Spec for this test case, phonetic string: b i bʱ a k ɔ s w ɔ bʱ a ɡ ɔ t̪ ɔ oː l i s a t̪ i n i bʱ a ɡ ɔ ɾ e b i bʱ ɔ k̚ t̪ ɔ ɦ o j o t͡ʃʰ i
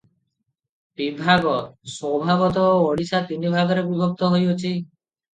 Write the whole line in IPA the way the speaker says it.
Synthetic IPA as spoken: b i bʱ a ɡ ɔ s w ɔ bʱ a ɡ ɔ t̪ ɔ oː ɽ i s a t̪ i n i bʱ a ɡ ɔ ɾ e b i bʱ ɔ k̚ t̪ ɔ ɦ o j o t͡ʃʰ i